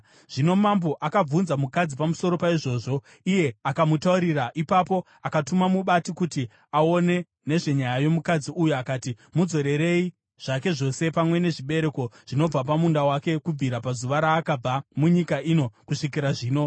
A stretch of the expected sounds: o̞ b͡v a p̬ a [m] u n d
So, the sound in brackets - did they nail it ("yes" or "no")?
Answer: yes